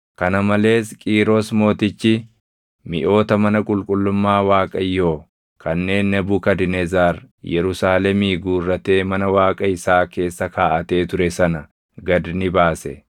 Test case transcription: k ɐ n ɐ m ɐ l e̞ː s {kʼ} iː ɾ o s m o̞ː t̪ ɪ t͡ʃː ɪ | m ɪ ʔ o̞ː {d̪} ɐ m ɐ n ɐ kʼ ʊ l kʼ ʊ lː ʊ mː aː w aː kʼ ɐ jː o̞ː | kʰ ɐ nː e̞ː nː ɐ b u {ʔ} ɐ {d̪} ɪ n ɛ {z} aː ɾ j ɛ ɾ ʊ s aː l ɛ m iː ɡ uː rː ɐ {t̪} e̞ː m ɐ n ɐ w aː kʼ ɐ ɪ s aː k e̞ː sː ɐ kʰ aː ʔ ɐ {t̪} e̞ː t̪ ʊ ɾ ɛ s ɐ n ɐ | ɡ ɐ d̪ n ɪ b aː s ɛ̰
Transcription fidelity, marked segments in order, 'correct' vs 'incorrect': correct, incorrect: t̪, incorrect: k, correct, correct, correct, correct

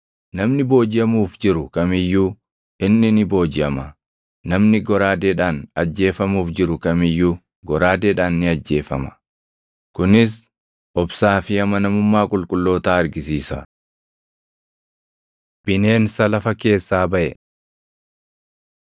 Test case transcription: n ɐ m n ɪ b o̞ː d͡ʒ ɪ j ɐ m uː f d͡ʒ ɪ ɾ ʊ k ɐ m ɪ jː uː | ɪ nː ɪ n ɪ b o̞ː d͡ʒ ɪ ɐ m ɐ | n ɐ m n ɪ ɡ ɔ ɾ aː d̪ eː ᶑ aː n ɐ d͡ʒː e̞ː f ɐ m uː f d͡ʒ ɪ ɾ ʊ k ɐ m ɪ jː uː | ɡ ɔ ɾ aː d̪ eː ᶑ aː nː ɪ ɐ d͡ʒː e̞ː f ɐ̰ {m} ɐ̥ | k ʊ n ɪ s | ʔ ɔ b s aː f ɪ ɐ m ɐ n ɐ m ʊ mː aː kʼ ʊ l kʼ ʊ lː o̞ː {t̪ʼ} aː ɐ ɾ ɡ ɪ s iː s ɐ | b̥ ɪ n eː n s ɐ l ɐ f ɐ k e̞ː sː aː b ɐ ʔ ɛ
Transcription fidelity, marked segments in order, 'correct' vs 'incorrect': correct, incorrect: t̪

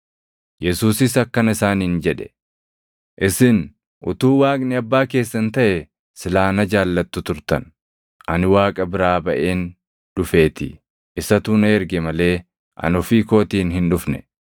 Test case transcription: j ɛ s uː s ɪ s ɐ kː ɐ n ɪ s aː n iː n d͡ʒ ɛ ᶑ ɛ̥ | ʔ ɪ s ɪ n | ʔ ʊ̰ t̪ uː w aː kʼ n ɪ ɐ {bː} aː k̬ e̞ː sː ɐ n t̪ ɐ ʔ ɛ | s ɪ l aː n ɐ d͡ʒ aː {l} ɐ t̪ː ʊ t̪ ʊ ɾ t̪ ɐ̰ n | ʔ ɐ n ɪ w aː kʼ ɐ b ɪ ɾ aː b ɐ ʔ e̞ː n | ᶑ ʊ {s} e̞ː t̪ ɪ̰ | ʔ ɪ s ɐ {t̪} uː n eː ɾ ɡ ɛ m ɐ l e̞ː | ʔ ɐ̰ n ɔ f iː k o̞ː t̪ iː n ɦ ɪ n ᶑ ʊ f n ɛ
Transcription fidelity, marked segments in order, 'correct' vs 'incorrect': correct, incorrect: lː, incorrect: f, correct

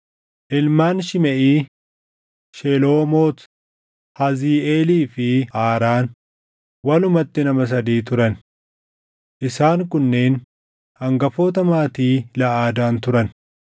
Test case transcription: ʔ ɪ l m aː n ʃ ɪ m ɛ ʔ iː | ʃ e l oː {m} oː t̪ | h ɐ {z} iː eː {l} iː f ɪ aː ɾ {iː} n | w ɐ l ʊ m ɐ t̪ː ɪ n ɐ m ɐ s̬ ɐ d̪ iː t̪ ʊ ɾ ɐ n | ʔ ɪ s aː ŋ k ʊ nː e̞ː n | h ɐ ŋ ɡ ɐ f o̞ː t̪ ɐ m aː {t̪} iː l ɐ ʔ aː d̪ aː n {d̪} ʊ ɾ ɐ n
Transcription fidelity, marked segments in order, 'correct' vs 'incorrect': correct, correct, correct, incorrect: aː, correct, incorrect: t̪

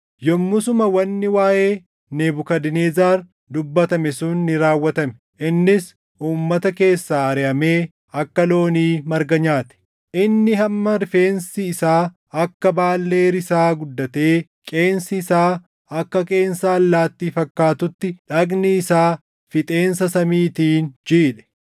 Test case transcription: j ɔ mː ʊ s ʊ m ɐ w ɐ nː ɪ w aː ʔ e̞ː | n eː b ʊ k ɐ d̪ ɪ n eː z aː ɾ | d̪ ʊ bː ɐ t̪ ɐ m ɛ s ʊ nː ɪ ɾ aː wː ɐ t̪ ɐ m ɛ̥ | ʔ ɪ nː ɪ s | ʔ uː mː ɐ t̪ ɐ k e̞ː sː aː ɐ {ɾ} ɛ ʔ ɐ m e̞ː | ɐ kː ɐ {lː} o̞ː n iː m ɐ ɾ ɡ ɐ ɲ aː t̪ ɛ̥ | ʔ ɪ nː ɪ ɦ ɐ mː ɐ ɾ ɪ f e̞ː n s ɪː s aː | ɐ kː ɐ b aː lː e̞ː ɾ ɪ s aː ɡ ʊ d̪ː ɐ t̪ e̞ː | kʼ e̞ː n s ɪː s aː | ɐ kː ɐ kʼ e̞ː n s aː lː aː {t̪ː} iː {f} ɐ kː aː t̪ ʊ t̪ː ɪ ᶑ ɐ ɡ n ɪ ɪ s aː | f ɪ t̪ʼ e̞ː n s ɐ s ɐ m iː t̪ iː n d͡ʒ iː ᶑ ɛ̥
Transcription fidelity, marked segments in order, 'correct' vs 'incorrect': correct, incorrect: l, correct, correct

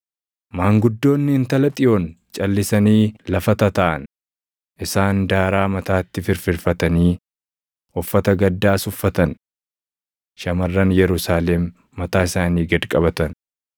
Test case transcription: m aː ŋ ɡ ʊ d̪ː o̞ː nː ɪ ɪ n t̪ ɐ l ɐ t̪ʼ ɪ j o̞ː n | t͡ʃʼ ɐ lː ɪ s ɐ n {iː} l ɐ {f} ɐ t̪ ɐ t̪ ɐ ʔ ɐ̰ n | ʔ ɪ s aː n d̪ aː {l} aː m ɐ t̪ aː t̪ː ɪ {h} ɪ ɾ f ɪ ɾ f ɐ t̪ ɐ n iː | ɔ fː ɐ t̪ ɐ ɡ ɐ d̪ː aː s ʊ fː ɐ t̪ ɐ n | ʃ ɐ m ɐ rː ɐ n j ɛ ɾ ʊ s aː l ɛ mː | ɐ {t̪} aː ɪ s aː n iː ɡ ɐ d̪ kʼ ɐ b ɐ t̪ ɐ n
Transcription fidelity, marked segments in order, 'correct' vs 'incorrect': correct, correct, incorrect: ɾ, incorrect: f, correct

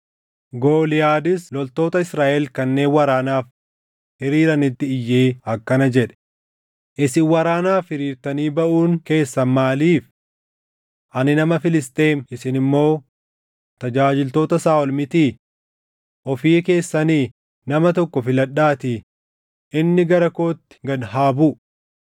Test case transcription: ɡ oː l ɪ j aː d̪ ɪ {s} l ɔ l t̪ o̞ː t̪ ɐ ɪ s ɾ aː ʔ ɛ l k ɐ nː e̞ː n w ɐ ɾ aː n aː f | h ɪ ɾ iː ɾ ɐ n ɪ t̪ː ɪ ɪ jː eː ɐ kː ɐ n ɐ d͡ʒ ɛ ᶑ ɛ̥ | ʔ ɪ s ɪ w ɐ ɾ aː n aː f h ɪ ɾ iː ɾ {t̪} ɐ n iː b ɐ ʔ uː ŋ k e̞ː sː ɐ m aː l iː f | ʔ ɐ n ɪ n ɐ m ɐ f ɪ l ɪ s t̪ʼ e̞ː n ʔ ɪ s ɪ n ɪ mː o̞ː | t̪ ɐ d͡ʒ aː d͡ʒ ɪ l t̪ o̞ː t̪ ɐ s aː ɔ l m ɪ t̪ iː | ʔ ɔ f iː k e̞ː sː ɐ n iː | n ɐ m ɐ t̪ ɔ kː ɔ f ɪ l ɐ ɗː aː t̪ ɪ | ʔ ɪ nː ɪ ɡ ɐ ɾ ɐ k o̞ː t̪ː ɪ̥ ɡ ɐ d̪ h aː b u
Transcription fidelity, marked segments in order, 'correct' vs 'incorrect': correct, correct

